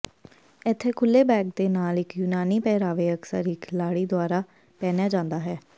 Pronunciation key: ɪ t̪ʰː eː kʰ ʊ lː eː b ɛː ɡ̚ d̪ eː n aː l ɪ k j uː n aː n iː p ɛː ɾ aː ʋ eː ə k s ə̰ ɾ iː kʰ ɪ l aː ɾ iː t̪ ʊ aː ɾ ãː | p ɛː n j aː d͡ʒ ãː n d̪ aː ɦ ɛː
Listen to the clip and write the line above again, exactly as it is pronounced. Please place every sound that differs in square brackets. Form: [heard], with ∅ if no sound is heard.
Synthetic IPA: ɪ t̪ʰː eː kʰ ʊ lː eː b ɛː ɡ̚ d̪ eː n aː l ɪ k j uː n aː n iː p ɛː ɾ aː ʋ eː ə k s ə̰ ɾ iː kʰ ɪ l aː [ɽ] iː [d̪] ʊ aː ɾ [aː] | p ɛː n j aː d͡ʒ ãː n d̪ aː ɦ ɛː